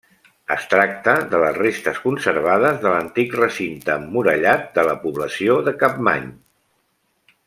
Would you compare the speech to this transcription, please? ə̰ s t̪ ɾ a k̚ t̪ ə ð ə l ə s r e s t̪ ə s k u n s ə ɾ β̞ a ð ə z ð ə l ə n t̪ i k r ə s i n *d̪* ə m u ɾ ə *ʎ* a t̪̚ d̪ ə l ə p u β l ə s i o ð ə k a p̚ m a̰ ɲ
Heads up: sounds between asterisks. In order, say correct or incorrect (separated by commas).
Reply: incorrect, correct